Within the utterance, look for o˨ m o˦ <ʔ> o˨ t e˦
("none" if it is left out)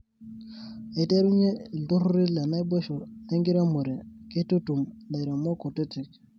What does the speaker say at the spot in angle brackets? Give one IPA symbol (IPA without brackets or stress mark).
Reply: k